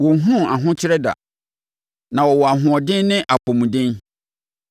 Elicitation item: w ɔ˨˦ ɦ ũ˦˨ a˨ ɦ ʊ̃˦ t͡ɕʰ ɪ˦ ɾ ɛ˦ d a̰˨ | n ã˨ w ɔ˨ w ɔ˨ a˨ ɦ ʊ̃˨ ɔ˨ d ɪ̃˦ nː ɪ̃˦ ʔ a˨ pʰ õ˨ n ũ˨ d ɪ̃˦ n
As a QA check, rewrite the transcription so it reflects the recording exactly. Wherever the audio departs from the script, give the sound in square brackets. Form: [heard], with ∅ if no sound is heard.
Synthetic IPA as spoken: w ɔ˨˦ ɦ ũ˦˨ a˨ ɦ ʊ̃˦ t͡ɕʰ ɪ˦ ɾ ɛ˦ d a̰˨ | n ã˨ w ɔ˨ w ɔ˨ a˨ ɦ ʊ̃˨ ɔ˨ d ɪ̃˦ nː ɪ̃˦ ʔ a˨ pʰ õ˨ [m] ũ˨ d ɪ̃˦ n